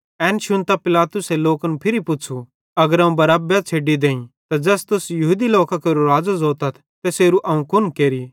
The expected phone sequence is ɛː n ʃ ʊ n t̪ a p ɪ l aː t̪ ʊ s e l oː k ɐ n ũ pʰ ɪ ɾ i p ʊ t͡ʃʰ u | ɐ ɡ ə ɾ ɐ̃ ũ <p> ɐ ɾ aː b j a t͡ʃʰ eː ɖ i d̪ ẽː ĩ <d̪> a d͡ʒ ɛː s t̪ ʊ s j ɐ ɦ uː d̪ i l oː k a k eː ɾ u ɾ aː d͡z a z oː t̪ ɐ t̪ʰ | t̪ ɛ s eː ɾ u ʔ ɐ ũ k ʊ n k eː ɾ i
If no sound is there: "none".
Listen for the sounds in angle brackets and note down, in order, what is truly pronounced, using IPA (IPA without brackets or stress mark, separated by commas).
b, t̪